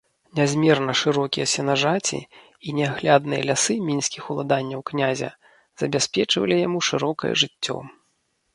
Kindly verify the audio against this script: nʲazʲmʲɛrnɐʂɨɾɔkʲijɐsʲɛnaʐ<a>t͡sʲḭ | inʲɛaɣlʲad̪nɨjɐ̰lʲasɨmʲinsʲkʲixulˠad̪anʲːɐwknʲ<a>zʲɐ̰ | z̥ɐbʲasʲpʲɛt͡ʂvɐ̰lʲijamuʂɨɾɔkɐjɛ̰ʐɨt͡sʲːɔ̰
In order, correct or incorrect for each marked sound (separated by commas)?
correct, correct